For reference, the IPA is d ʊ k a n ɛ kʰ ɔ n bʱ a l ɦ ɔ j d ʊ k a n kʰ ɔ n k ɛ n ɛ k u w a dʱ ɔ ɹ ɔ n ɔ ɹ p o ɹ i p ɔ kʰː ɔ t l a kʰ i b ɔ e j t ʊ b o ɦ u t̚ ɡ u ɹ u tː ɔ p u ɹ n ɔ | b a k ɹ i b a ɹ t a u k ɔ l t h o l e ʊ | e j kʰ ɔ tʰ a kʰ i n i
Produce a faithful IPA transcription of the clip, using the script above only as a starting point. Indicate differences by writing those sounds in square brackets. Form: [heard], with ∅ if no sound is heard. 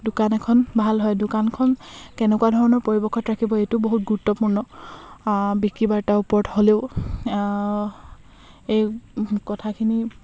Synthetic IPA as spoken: d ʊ k a n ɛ kʰ ɔ n bʱ a l ɦ ɔ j d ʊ k a n kʰ ɔ n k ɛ n ɛ k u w a dʱ ɔ ɹ ɔ n ɔ ɹ p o ɹ i [b] ɔ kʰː ɔ t [ɹ] a kʰ i b ɔ e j t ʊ b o ɦ u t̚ ɡ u ɹ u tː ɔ p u ɹ n ɔ | b [i] k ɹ i b a ɹ t a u [p] ɔ [ɹ] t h o l e ʊ | e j [k] ɔ tʰ a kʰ i n i